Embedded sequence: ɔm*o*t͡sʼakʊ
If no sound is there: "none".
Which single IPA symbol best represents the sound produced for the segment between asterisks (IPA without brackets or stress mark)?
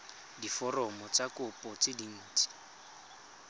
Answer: ɔ